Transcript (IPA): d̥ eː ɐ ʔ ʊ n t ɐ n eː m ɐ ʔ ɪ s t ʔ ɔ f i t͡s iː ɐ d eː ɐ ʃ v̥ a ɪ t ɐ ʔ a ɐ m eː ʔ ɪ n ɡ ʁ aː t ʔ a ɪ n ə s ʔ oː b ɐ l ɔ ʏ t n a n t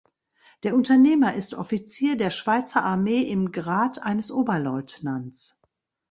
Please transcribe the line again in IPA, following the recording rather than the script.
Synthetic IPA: d̥ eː ɐ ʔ ʊ n t ɐ n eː m ɐ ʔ ɪ s t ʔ ɔ f i t͡s iː ɐ d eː ɐ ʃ v̥ a ɪ t͡s ɐ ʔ a ɐ m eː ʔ ɪ m ɡ ʁ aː t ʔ a ɪ n ə s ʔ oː b ɐ l ɔ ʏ t n a n t͡s

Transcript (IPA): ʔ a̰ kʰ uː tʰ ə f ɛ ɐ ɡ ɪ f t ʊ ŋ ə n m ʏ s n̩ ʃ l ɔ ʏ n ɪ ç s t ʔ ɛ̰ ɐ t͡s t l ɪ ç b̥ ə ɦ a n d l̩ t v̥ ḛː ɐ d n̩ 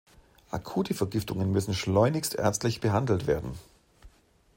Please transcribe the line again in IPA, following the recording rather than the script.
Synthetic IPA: ʔ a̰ kʰ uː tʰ ə f ɛ ɐ ɡ ɪ f t ʊ ŋ ə n m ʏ s n̩ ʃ l ɔ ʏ n ɪ ç s t ʔ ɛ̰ ɐ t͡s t l ɪ ç b̥ ə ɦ a n d l̩ t v̥ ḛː ɐ d n̩

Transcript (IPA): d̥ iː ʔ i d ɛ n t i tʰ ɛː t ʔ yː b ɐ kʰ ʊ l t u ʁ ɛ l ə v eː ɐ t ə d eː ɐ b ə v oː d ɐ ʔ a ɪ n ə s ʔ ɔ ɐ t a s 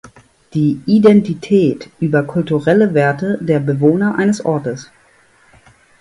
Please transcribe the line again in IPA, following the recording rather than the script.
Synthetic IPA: d̥ iː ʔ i d ɛ n t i tʰ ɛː t ʔ yː b ɐ kʰ ʊ l t u ʁ ɛ l ə v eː ɐ t ə d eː ɐ b ə v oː n ɐ ʔ a ɪ n ə s ʔ ɔ ɐ t ə s

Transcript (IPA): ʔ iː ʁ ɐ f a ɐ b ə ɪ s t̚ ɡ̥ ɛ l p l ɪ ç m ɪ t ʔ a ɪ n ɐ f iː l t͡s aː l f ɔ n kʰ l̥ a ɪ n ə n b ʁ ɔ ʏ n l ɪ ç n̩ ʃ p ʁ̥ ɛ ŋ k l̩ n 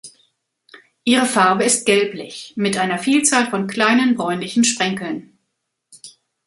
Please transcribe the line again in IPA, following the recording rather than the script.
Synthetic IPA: ʔ iː ʁ ə f a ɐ b ə ɪ s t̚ ɡ̥ ɛ l p l ɪ ç m ɪ t ʔ a ɪ n ɐ f iː l t͡s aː l f ɔ n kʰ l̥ a ɪ n ə n b ʁ ɔ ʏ n l ɪ ç n̩ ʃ p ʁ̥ ɛ ŋ k l̩ n

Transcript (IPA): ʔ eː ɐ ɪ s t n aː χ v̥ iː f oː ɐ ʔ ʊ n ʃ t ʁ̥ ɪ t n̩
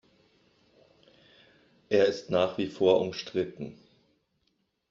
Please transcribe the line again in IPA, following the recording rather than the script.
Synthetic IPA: ʔ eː ɐ ɪ s t n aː χ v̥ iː f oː ɐ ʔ ʊ m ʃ t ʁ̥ ɪ t n̩

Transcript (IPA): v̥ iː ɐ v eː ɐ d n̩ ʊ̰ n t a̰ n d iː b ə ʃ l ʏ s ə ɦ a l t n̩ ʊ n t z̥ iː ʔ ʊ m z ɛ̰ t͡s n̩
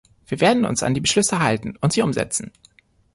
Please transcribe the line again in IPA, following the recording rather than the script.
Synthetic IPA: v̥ iː ɐ v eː ɐ d n̩ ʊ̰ n s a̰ n d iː b ə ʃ l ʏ s ə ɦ a l t n̩ ʊ n t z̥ iː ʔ ʊ m z ɛ̰ t͡s n̩

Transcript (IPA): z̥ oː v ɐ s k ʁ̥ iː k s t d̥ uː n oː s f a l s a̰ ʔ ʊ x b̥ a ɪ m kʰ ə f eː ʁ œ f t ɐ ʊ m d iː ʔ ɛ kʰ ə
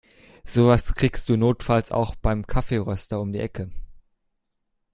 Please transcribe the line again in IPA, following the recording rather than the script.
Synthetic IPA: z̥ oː v a s k ʁ̥ iː k s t d̥ uː n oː t f a l s a̰ ʊ x b̥ a ɪ m kʰ a f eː ʁ œ s t ɐ ʊ m d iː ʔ ɛ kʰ ə

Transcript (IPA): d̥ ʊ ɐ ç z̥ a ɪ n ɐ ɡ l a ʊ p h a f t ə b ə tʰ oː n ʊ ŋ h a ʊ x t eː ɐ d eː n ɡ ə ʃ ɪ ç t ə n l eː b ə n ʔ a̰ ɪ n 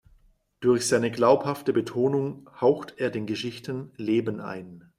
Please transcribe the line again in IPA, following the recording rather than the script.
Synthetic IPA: d̥ ʊ ɐ ç z̥ a ɪ n ə ɡ l a ʊ p h a f t ə b ə tʰ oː n ʊ ŋ h a ʊ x t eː ɐ d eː n ɡ ə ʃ ɪ ç t ə n l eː b ə n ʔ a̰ ɪ n

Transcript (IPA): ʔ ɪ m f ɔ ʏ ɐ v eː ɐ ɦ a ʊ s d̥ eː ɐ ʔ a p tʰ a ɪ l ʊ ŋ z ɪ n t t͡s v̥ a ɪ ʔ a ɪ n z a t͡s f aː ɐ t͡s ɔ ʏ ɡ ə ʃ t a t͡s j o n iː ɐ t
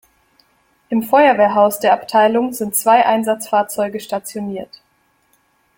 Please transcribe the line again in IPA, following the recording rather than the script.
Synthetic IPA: ʔ ɪ m f ɔ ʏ ɐ v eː ɐ ɦ a ʊ s d̥ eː ɐ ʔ a p tʰ a ɪ l ʊ ŋ z ɪ n t t͡s v̥ a ɪ ʔ a ɪ n z a t͡s f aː ɐ t͡s ɔ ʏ ɡ ə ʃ t a t͡s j o n iː ɐ t

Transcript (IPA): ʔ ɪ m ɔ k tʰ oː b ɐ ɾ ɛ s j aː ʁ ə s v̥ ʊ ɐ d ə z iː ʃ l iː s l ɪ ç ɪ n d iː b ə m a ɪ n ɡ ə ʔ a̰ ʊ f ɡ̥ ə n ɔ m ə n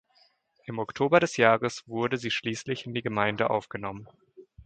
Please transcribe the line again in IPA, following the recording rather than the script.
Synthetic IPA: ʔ ɪ m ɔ k tʰ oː b ɐ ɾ ɛ s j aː ʁ ə s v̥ ʊ ɐ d ə z iː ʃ l iː s l ɪ ç ɪ n d iː ɡ ə m a ɪ n d ə ʔ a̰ ʊ f ɡ̥ ə n ɔ m ə n

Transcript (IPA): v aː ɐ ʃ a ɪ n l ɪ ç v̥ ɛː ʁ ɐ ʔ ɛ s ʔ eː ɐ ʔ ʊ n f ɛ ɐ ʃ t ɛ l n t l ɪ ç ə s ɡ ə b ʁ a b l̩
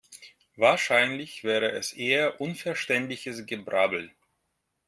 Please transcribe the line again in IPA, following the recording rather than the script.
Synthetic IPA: v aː ɐ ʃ a ɪ n l ɪ ç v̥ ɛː ʁ ə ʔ ɛ s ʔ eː ɐ ʔ ʊ n f ɛ ɐ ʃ t ɛ n t l ɪ ç ə s ɡ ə b ʁ a b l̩

